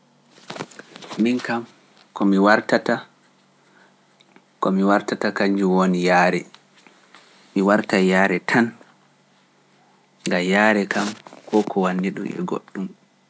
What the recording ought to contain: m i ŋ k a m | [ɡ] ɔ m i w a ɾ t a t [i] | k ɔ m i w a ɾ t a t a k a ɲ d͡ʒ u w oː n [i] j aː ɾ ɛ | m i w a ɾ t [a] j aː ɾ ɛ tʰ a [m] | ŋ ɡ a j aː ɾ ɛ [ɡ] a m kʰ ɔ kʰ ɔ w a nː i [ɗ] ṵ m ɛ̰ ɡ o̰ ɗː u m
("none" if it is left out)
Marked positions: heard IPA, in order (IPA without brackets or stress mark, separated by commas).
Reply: k, a, i, a, n, k, ɗ